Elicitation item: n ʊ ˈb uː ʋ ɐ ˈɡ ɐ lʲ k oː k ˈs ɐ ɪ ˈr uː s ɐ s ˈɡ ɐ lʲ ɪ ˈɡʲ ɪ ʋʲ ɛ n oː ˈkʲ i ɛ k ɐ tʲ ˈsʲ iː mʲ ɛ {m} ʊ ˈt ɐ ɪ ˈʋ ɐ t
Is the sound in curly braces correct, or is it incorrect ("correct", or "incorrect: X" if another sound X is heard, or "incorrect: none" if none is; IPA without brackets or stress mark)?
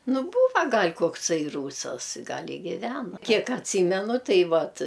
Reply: incorrect: n